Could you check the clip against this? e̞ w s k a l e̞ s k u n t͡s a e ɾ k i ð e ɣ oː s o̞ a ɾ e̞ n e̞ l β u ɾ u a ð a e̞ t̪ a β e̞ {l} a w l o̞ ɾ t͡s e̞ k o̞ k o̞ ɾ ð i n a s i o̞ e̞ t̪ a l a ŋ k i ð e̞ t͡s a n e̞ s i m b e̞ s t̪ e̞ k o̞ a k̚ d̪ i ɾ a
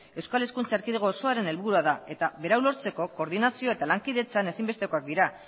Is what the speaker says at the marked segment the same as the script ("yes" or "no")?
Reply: no